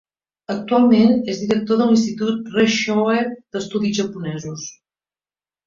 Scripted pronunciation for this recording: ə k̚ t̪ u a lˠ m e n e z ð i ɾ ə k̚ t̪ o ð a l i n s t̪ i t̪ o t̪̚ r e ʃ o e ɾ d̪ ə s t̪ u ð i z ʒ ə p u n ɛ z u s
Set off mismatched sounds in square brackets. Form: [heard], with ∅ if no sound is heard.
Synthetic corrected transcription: ə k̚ t̪ u a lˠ m e n e z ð i ɾ ə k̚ t̪ o ð [ə] l i n s t̪ i t̪ [u] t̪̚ r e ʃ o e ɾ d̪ ə s t̪ u ð i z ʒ ə p u n ɛ z u s

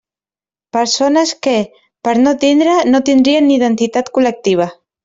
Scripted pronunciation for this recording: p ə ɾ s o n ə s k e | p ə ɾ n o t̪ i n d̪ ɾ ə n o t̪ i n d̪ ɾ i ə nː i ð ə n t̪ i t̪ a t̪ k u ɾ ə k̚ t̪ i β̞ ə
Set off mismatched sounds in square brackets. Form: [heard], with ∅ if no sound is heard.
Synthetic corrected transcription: p ə ɾ s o n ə s k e | p ə ɾ n o t̪ i n d̪ ɾ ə n o t̪ i n d̪ ɾ i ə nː i ð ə n t̪ i t̪ a t̪ k u [l] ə k̚ t̪ i β̞ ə

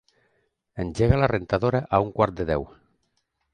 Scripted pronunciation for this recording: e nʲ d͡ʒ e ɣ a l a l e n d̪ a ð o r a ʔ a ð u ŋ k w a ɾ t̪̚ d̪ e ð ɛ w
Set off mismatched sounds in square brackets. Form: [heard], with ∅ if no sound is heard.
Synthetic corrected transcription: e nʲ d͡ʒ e ɣ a l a [r] e n [t̪] a ð o [ɾ] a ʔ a [∅] u ŋ k w a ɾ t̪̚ d̪ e ð ɛ w

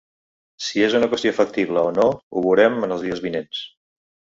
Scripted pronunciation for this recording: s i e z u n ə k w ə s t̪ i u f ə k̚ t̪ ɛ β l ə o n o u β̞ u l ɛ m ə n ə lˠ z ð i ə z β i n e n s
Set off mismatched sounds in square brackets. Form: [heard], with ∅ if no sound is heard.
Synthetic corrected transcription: s i e z u n ə k w ə s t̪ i [o] f ə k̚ t̪ [i] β l ə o n o u β̞ u [ɾ] ɛ m ə n ə lˠ z ð i ə z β i n e n s

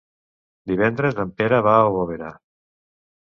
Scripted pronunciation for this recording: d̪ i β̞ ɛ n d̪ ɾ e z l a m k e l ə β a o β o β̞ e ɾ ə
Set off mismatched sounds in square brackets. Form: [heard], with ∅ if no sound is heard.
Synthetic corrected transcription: d̪ i β̞ ɛ n d̪ ɾ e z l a m [p] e [ɾ] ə β a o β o β̞ e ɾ [a]

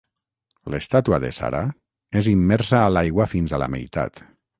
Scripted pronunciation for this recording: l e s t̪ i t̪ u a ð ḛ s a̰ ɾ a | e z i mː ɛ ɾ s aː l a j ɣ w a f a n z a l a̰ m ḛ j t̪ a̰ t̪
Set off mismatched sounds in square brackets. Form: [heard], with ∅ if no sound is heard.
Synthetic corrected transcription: l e s t̪ [a] t̪ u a ð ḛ s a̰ ɾ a | e z i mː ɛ ɾ s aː l a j ɣ w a f [i] n z a l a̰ m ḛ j t̪ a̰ t̪

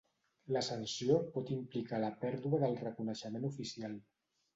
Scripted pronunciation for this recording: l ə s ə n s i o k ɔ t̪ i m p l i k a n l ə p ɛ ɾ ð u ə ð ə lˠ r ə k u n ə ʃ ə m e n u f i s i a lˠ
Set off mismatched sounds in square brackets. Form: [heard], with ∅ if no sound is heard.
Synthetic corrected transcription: l ə s ə n s i o [p] ɔ t̪ i m p l i k a [∅] l ə p ɛ ɾ ð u ə ð ə lˠ r ə k u n ə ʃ ə m e n u f i s i a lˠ

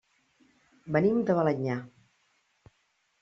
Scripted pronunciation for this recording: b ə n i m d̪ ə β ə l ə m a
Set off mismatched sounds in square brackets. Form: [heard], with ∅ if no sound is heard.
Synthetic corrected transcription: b ə n i m d̪ ə β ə l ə [ɲ] a

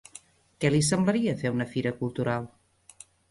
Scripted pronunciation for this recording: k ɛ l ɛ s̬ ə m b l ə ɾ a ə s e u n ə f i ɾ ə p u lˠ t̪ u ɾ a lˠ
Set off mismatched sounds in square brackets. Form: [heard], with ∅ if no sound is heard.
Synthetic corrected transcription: k ɛ l [i] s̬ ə m b l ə ɾ [i] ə [f] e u n ə f i ɾ ə [k] u lˠ t̪ u ɾ a lˠ

